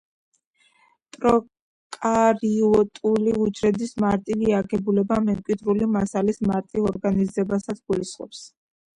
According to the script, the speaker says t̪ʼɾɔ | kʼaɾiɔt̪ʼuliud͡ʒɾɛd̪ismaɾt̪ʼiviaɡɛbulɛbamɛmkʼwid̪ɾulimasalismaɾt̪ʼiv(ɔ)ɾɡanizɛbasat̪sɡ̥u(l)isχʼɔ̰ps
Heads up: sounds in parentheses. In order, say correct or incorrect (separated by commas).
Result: correct, correct